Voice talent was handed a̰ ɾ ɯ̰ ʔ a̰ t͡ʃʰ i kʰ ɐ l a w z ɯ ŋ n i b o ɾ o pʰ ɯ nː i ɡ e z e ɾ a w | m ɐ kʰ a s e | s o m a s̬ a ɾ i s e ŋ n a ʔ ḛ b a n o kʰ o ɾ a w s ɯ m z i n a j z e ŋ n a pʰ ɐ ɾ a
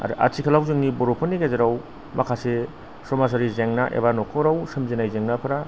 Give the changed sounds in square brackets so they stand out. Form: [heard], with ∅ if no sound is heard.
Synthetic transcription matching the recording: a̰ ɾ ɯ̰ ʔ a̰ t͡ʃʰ i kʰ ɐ l a w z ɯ ŋ n i b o ɾ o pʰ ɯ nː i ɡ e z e ɾ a w | m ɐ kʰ a s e | s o m a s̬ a ɾ i [z] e ŋ n a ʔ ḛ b a n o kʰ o ɾ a w s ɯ m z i n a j z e ŋ n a pʰ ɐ ɾ a